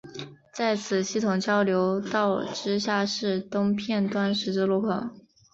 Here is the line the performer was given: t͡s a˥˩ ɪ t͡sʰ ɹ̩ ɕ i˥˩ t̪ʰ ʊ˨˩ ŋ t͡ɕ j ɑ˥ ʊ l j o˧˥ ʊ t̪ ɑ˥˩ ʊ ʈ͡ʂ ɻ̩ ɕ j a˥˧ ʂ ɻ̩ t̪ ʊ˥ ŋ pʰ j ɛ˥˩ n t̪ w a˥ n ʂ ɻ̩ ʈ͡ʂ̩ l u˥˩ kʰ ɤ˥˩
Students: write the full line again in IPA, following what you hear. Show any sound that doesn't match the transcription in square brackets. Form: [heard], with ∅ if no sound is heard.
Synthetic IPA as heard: t͡s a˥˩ ɪ t͡sʰ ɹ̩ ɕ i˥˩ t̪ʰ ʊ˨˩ ŋ t͡ɕ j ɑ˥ ʊ l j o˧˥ ʊ t̪ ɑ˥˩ ʊ ʈ͡ʂ ɻ̩ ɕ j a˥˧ ʂ ɻ̩ t̪ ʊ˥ ŋ pʰ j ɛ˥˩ n t̪ w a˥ n ʂ ɻ̩ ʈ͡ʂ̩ l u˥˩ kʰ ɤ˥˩